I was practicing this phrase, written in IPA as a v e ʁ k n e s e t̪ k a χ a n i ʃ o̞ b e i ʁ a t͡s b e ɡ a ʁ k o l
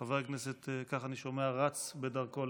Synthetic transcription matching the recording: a v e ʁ k n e s e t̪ k a χ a n i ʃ o̞ m e a ʁ a t͡s b e d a ʁ k o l